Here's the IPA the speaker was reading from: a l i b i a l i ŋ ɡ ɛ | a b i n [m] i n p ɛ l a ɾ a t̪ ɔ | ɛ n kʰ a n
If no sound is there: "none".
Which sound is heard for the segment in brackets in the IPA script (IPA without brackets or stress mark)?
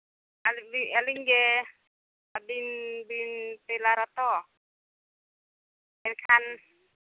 b